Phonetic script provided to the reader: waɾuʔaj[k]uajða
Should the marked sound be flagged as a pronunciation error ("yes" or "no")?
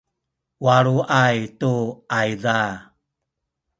yes